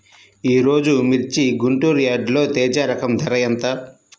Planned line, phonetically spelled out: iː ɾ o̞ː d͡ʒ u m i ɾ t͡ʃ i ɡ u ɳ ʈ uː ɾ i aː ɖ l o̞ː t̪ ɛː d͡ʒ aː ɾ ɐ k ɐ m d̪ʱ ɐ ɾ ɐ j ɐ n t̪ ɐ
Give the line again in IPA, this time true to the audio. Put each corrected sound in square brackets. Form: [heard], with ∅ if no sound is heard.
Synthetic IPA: iː ɾ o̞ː d͡ʒ u m i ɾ t͡ʃ i ɡ u ɳ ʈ uː ɾ [j] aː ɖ l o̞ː t̪ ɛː d͡ʒ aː ɾ ɐ k ɐ m d̪ʱ ɐ ɾ ɐ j ɐ n t̪ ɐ